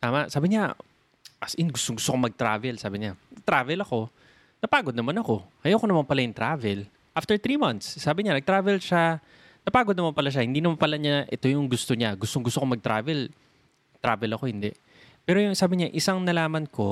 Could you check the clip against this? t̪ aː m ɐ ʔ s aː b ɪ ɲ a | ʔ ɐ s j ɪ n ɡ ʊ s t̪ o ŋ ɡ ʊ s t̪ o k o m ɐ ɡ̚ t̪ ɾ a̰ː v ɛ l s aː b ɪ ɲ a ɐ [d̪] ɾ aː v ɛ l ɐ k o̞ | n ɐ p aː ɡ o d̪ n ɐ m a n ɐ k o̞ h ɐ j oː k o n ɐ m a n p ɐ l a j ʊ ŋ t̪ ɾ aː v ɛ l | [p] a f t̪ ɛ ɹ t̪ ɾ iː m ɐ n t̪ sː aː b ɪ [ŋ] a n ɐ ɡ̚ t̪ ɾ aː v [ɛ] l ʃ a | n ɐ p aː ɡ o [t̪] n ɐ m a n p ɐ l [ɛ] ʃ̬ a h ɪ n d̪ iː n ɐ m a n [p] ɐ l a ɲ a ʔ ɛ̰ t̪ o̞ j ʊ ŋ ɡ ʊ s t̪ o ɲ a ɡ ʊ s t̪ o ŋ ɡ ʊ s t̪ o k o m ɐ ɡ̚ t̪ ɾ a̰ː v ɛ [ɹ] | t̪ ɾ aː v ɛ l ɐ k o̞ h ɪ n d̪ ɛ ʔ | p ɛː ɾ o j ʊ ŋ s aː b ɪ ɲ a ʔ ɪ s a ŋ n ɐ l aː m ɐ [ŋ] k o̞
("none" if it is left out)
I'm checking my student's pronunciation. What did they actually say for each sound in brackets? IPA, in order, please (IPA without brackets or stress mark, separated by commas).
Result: t̪, ʔ, ɲ, ɛ, d̪, a, p, l, n